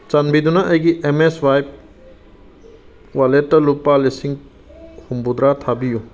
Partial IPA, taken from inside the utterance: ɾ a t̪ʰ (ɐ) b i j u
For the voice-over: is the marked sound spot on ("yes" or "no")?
no